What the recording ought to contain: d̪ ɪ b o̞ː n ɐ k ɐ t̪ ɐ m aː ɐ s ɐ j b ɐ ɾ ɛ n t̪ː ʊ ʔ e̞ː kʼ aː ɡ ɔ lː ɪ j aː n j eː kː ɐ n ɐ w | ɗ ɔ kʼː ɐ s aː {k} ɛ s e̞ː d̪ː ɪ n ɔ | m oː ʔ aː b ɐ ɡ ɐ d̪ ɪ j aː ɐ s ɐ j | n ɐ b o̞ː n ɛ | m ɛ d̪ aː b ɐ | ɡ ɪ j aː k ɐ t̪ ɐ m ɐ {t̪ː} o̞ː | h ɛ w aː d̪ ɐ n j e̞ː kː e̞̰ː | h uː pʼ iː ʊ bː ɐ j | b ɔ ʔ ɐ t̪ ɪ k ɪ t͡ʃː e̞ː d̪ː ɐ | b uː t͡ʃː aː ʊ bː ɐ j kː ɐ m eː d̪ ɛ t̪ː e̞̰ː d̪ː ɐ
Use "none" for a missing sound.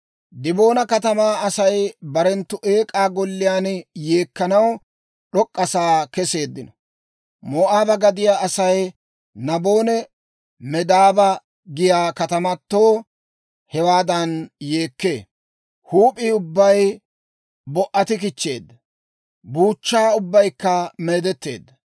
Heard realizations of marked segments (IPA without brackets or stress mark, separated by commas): k, t̪ː